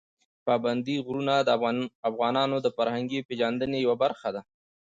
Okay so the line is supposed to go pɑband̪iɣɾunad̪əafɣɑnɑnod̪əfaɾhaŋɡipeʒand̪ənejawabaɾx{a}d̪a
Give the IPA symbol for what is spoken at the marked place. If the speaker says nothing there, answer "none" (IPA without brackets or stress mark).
a